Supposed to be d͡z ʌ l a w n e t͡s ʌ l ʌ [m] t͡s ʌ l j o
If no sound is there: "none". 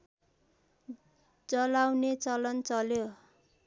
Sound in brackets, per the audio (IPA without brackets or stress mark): n